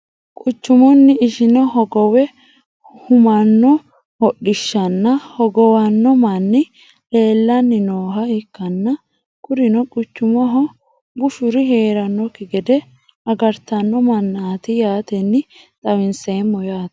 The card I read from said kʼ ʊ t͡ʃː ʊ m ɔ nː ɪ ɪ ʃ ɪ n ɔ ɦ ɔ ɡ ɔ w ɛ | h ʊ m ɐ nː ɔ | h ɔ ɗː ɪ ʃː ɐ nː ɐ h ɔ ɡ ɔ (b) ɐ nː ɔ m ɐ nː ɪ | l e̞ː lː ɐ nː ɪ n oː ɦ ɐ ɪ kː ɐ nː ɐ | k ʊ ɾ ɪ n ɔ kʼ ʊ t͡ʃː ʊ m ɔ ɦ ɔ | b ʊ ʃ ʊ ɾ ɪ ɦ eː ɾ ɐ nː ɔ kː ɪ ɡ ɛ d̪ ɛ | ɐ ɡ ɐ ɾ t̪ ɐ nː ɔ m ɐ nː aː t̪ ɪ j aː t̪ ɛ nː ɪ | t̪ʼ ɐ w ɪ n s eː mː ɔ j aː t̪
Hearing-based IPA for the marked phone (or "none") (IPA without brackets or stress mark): w